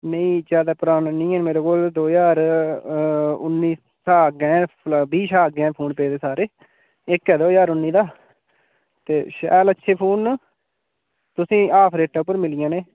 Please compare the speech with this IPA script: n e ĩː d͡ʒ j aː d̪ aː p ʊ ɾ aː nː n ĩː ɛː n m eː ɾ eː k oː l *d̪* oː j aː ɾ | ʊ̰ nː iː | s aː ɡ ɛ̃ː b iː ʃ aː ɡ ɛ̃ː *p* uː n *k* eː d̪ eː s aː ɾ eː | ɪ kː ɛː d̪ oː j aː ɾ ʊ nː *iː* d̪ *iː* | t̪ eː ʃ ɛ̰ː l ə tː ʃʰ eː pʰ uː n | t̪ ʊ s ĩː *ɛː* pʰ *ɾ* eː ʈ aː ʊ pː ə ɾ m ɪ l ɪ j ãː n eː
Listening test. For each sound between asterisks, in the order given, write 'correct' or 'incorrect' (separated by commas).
correct, incorrect, incorrect, correct, incorrect, incorrect, correct